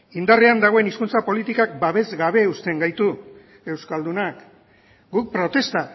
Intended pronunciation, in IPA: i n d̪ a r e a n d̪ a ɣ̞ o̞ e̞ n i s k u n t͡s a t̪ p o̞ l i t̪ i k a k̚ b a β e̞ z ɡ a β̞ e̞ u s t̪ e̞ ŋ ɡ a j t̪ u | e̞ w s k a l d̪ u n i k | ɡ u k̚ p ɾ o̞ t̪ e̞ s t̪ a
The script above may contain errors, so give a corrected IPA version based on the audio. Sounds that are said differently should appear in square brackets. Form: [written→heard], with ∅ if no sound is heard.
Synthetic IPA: i n d̪ a r e a n d̪ a ɣ̞ o̞ e̞ n i s k u n t͡s a [t̪→∅] p o̞ l i t̪ i k a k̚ b a β e̞ z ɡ a β̞ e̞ u s t̪ e̞ ŋ ɡ a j t̪ u | e̞ w s k a l d̪ u n [i→a] k | ɡ u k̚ p ɾ o̞ t̪ e̞ s t̪ a